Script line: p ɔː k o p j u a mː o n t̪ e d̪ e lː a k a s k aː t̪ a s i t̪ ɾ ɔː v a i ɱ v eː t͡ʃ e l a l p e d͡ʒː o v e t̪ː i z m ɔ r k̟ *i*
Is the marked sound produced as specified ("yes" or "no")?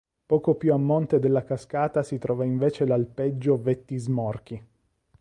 yes